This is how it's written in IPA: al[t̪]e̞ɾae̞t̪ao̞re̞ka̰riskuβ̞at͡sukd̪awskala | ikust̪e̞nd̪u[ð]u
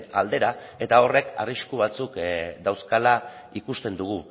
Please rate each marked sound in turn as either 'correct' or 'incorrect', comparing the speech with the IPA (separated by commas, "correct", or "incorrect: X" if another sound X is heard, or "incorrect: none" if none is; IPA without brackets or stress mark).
incorrect: d̪, incorrect: ɣ